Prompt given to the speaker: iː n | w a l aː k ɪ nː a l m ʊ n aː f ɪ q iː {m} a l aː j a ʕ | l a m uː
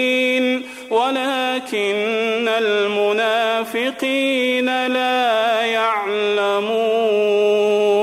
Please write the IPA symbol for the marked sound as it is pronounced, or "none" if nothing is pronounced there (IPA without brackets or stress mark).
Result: n